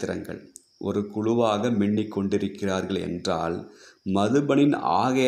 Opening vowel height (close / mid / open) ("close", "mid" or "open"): close